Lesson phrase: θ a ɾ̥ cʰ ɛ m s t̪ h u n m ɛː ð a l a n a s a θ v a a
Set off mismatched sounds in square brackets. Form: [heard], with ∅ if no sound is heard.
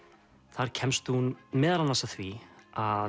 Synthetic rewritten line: θ a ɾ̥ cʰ ɛ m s t̪ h u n m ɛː ð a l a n a s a θ v [i] a